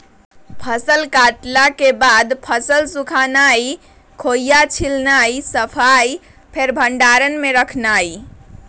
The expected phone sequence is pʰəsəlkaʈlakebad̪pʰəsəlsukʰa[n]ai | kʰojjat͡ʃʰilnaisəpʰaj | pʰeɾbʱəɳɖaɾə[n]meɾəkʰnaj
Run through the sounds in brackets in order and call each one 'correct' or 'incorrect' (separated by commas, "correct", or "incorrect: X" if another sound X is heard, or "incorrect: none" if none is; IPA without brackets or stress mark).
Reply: correct, correct